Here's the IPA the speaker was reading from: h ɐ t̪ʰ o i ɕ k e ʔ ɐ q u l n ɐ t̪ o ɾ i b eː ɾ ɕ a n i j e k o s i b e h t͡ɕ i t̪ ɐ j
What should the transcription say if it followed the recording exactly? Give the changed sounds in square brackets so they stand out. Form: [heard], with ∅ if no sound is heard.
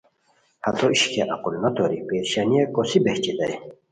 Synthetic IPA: h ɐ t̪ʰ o i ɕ k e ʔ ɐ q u l n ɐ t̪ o ɾ i [p] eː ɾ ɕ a n i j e k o s i b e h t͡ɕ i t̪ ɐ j